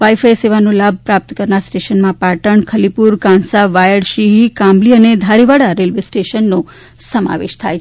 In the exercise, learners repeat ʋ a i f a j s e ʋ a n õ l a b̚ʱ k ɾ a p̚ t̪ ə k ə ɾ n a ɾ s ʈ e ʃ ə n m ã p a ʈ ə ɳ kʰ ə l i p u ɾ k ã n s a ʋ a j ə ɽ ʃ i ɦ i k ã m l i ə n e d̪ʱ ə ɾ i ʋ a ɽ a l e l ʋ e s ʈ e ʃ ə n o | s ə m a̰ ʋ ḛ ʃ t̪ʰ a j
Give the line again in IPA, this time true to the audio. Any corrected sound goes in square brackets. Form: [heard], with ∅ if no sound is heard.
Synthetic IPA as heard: ʋ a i f a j s e ʋ a n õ l a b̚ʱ [p] ɾ a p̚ t̪ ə k ə ɾ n a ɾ s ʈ e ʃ ə n m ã p a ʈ ə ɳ kʰ ə l i p u ɾ k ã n s a ʋ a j ə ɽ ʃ i ɦ i k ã m l i ə n e d̪ʱ [a] ɾ i ʋ a ɽ a [ɾ] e l ʋ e s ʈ e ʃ ə [nː] o | s ə m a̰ ʋ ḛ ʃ t̪ʰ a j

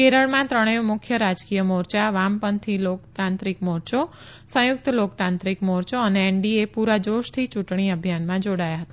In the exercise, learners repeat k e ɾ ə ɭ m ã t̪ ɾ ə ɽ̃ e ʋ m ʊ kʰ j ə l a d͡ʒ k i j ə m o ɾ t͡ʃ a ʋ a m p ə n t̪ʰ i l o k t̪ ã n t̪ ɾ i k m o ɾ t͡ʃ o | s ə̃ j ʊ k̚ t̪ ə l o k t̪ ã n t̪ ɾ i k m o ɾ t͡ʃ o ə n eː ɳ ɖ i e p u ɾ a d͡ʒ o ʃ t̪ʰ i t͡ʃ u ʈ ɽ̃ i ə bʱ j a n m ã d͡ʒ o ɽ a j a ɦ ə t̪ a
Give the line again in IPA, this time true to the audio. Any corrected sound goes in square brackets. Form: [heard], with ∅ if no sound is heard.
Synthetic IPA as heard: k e ɾ ə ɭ m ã t̪ ɾ ə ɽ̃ e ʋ m ʊ kʰ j ə [ɾ] a d͡ʒ k i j ə m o ɾ t͡ʃ a ʋ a m p ə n t̪ʰ i l o k t̪ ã n t̪ ɾ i k m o ɾ t͡ʃ o | s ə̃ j ʊ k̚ t̪ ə l o k t̪ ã n t̪ ɾ i k m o ɾ t͡ʃ o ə n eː ɳ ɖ i e p u ɾ a d͡ʒ o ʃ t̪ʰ i t͡ʃ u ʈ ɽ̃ i ə bʱ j a n m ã d͡ʒ o ɽ a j a ɦ ə t̪ a

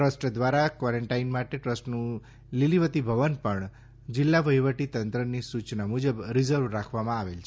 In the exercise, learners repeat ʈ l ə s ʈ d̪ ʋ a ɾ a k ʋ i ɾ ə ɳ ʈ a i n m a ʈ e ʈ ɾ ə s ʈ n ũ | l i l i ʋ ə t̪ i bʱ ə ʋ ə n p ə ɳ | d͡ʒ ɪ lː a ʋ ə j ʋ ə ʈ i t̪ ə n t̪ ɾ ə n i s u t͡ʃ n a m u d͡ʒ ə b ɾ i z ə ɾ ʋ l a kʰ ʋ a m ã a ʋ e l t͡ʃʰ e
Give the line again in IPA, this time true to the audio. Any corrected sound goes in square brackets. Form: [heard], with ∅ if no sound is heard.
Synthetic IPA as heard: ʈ [ɾ] ə s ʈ d̪ ʋ a ɾ a k ʋ [a] ɾ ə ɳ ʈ a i n m a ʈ e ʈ ɾ ə s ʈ n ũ | l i l i ʋ ə t̪ i bʱ ə ʋ ə n p ə ɳ | d͡ʒ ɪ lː a ʋ ə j ʋ ə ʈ i t̪ ə n t̪ ɾ ə n i s u t͡ʃ n a m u d͡ʒ ə b ɾ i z ə ɾ ʋ [ɾ] a kʰ ʋ a m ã a ʋ e l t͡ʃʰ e

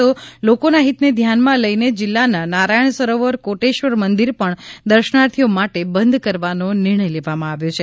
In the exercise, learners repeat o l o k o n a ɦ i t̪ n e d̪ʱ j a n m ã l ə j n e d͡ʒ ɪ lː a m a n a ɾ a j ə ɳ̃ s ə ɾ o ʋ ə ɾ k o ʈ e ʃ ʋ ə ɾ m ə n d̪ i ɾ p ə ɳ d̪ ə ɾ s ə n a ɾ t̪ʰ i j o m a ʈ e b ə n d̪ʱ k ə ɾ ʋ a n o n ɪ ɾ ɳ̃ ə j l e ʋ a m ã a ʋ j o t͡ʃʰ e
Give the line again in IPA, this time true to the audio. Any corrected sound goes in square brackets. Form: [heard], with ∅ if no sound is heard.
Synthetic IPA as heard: o l o k o n a ɦ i t̪ n e d̪ʱ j a n m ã l ə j n e d͡ʒ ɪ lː a [n] a n a ɾ a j ə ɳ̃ s ə ɾ o ʋ ə ɾ k o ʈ e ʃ ʋ ə ɾ m ə n d̪ i ɾ p ə ɳ d̪ ə ɾ [ʃ] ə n a ɾ t̪ʰ i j o m a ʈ e b ə n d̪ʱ k ə ɾ ʋ a n o n ɪ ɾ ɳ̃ ə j l e ʋ a m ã a ʋ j o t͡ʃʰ e

